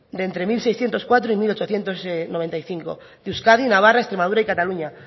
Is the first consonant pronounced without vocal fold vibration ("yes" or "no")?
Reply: no